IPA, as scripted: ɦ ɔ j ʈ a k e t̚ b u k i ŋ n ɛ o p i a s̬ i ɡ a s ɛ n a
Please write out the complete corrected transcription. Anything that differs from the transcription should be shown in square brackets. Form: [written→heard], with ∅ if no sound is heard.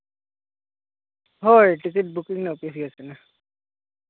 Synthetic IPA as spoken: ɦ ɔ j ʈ [a→i] k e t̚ b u k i ŋ n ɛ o p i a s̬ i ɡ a s ɛ n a